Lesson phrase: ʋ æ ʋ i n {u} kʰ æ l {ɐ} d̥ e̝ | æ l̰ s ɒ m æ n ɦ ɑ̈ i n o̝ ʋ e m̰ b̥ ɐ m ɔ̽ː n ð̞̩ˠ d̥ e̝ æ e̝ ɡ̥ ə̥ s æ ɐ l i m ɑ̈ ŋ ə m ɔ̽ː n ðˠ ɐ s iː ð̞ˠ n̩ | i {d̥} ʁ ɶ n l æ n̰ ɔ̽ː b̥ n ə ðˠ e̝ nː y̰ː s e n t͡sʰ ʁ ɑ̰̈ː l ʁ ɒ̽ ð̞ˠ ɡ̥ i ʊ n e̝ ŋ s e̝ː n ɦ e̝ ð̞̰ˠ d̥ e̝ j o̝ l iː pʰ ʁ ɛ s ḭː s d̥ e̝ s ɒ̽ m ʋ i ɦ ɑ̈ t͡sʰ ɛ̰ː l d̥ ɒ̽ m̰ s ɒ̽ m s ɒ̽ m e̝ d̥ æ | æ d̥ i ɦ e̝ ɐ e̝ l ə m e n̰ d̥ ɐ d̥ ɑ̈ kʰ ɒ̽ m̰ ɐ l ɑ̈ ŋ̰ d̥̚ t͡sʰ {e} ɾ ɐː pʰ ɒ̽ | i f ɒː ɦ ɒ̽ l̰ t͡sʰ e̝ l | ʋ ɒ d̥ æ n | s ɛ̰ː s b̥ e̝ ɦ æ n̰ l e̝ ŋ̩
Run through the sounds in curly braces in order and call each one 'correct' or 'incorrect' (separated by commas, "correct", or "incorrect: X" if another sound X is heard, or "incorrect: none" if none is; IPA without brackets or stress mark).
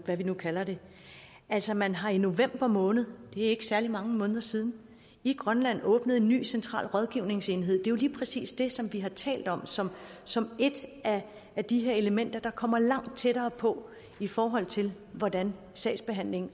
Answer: correct, correct, incorrect: ɡ̥, correct